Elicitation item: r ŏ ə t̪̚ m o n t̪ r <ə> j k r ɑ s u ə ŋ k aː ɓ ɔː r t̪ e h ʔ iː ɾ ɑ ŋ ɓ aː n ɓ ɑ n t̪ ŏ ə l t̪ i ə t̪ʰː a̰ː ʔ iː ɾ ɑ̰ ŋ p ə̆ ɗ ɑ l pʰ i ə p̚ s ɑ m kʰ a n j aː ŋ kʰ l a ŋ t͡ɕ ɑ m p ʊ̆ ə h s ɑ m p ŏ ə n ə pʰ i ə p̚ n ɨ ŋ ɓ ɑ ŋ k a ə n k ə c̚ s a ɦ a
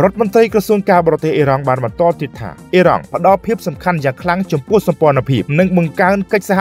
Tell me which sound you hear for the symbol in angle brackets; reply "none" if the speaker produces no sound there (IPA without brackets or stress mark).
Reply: ə